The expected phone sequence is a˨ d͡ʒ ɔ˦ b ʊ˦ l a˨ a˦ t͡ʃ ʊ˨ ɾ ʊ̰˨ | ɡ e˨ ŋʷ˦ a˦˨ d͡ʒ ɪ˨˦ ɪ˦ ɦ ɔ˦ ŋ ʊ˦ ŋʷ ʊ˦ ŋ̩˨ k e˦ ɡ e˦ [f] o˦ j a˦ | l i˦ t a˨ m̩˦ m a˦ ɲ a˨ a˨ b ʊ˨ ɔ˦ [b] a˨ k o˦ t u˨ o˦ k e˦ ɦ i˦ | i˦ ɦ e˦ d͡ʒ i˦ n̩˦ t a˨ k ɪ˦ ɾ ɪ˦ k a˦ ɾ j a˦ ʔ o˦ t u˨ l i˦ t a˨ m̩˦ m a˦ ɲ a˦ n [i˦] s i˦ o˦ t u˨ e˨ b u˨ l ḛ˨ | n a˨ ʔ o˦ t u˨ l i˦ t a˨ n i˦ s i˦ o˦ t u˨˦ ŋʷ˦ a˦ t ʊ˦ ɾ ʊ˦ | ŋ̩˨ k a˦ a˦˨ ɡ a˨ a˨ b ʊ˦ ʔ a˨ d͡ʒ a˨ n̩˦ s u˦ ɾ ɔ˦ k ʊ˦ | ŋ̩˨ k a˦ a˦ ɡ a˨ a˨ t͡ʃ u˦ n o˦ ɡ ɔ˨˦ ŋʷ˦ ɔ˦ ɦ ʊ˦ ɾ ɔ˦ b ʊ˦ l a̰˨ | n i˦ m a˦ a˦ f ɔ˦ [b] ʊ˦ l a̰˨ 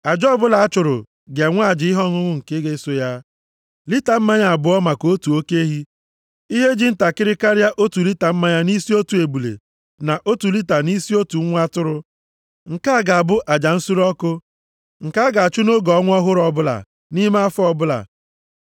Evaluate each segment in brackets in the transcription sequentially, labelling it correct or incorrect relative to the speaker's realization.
incorrect: s, incorrect: m, correct, correct

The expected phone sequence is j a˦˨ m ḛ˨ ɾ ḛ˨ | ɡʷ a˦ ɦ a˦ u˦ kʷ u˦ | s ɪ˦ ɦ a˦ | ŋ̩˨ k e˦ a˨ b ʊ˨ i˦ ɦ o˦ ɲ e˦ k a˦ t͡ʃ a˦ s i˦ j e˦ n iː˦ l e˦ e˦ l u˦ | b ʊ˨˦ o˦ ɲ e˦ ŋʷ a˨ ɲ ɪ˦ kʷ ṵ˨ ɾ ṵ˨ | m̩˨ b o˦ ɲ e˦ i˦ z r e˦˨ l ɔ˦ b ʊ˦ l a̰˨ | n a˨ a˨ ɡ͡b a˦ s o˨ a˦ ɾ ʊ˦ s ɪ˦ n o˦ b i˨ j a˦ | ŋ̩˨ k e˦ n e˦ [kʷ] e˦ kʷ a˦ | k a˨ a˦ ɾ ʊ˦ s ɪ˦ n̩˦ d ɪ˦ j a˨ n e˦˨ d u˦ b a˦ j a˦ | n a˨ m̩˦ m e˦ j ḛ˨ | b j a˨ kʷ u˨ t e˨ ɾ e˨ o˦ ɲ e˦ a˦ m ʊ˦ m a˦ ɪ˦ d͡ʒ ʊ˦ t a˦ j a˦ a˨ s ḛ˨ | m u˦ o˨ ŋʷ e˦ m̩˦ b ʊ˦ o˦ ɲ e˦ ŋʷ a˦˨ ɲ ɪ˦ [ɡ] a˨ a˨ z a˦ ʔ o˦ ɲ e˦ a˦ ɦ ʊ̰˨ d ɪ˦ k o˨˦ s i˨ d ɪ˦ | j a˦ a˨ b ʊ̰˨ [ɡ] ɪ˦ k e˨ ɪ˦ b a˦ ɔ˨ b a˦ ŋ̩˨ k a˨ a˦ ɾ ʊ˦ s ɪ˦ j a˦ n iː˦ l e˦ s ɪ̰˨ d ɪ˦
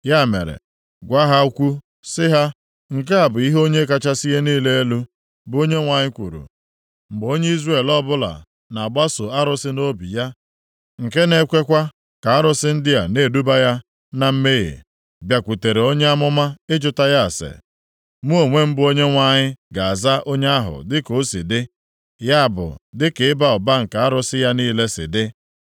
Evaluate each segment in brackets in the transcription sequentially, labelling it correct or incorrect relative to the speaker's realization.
correct, correct, incorrect: d

